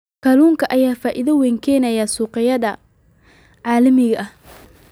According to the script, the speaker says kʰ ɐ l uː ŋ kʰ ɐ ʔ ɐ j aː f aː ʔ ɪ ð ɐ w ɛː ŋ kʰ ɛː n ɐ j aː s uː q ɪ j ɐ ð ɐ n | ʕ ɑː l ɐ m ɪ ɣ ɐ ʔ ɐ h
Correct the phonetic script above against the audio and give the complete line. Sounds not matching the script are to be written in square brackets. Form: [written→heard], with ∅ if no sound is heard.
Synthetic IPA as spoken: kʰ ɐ l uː ŋ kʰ ɐ ʔ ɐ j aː f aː ʔ ɪ ð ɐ w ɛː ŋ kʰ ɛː n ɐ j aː s uː q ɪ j ɐ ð ɐ [n→∅] | ʕ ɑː l ɐ m ɪ ɣ ɐ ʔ ɐ h